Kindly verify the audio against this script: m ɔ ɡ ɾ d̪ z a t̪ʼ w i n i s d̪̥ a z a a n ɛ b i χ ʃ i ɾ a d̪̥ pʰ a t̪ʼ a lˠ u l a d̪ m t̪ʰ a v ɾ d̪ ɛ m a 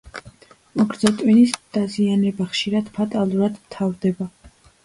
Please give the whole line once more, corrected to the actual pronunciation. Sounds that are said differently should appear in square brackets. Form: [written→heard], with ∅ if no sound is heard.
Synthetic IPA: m ɔ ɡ ɾ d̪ z a t̪ʼ w i n i s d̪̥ a z [a→i] a n ɛ b [i→a] χ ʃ i ɾ a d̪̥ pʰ a t̪ʼ a lˠ u [l→ɾ] a d̪ m t̪ʰ a v ɾ d̪ ɛ [m→b] a